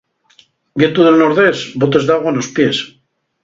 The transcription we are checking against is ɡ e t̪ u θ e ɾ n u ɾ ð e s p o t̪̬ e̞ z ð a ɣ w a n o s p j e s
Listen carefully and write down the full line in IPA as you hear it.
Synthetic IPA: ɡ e t̪ u ð e l n o ɾ ð e s b o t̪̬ e̞ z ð a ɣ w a n o s p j e s